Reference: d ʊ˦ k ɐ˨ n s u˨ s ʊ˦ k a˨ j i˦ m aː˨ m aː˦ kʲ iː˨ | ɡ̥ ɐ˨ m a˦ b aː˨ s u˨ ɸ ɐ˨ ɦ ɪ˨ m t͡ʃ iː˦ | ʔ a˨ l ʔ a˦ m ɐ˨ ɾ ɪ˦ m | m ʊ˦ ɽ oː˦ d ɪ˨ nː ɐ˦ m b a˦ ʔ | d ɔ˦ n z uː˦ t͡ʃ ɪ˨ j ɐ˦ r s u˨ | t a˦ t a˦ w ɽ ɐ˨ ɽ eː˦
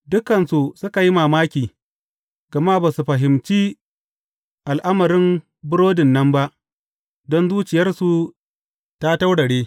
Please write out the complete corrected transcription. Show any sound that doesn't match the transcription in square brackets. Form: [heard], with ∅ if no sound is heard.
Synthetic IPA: d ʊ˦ k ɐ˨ n s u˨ s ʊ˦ k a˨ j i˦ m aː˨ m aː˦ kʲ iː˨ | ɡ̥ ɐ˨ m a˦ b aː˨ s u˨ ɸ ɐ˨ ɦ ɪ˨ m t͡ʃ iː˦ | ʔ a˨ l ʔ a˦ m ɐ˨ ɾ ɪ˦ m | [b] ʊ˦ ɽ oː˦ d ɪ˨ nː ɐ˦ m b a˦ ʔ | d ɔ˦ n z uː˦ t͡ʃ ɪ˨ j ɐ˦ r s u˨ | t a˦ t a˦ w ɽ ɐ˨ ɽ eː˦